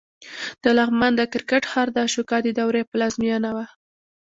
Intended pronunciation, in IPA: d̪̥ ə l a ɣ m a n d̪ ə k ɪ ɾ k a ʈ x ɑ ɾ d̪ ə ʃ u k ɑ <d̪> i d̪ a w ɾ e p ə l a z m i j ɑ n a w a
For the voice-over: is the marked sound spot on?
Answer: yes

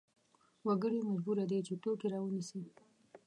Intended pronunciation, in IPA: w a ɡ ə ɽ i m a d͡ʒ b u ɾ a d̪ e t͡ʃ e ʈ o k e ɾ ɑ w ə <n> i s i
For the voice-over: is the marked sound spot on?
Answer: yes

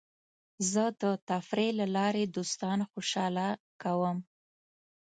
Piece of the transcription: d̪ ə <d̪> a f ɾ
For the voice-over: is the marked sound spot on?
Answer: no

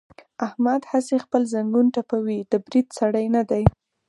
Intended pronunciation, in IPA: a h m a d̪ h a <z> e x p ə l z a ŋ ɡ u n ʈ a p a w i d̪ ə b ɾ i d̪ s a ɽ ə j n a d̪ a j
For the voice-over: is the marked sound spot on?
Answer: no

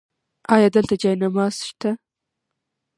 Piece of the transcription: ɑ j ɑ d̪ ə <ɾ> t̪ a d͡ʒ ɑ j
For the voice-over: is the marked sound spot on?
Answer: no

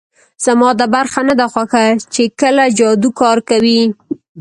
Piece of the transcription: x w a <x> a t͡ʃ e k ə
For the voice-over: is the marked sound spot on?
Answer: yes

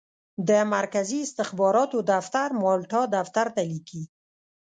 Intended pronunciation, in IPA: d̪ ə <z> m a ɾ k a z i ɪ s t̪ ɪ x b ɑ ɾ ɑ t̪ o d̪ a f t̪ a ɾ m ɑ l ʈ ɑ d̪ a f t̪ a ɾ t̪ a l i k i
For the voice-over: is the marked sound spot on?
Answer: no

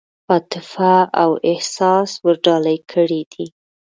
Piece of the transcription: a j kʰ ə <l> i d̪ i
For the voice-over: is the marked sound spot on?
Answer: no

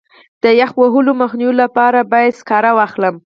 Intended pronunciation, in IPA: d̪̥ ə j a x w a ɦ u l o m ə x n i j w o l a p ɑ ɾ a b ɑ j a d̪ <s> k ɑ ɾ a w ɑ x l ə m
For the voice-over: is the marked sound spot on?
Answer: yes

